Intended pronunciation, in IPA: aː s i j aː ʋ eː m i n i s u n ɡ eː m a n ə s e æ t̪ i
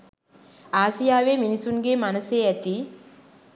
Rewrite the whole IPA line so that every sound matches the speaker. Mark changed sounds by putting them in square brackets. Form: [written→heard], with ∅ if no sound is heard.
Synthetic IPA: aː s i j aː ʋ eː m i n i s u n ɡ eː m a n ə s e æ t̪ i